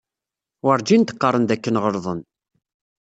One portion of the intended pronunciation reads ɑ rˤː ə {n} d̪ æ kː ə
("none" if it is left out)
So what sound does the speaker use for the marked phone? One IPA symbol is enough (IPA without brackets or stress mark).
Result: n